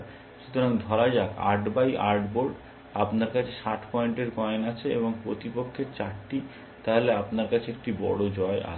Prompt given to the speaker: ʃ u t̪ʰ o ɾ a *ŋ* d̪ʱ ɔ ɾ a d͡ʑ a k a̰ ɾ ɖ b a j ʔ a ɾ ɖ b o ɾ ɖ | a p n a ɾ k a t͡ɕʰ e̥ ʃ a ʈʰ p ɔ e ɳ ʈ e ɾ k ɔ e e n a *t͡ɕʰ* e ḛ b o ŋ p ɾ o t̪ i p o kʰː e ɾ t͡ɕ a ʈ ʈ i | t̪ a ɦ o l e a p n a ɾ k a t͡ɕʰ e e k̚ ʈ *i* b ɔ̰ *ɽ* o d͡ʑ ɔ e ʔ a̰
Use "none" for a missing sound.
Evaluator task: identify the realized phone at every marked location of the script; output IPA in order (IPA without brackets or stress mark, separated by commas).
ŋ, t͡ɕʰ, i, ɽ